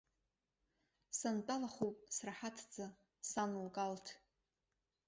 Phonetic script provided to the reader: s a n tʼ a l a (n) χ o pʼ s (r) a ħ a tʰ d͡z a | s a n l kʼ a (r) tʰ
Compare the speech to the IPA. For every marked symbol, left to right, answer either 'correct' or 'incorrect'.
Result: incorrect, correct, incorrect

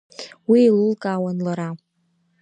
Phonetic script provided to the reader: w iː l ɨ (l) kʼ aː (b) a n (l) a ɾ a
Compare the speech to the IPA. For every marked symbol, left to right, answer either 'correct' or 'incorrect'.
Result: correct, incorrect, correct

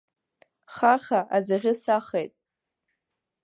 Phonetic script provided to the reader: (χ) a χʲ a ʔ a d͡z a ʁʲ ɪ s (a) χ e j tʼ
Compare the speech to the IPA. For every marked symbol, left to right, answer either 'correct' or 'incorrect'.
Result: correct, correct

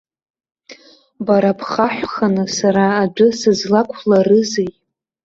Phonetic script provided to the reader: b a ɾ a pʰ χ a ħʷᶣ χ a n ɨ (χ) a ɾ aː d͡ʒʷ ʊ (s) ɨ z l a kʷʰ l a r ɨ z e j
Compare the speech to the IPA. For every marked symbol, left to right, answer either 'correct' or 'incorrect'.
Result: incorrect, correct

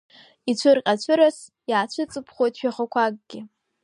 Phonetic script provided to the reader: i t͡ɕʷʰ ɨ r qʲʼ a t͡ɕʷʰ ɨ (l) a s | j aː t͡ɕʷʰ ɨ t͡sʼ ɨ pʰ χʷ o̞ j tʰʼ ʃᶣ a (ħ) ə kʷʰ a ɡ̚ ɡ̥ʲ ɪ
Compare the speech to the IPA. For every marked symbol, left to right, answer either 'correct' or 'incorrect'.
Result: incorrect, incorrect

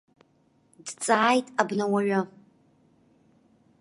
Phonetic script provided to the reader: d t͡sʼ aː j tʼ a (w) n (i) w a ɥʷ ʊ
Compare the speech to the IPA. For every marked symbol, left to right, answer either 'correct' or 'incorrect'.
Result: incorrect, incorrect

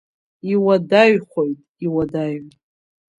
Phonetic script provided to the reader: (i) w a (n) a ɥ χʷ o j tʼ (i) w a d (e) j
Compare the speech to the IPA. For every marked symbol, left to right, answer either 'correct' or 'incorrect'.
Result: correct, incorrect, correct, incorrect

